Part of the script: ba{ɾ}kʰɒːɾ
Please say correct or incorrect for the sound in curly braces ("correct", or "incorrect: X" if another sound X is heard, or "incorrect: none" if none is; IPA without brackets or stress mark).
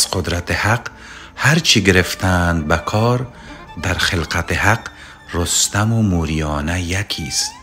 incorrect: none